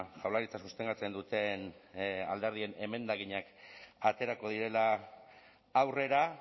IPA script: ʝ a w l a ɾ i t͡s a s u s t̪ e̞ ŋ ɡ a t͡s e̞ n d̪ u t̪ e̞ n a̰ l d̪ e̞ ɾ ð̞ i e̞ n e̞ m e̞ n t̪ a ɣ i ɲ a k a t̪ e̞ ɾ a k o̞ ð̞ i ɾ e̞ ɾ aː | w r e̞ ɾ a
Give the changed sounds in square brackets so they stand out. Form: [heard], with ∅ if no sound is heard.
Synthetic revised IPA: ʝ a w l a ɾ i t͡s a s u s t̪ e̞ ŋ ɡ a t͡s e̞ n d̪ u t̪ e̞ n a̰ l d̪ e̞ ɾ ð̞ i e̞ n e̞ m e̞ n [d̪] a ɣ i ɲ a k a t̪ e̞ ɾ a k o̞ ð̞ i ɾ e̞ [l] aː | w r e̞ ɾ a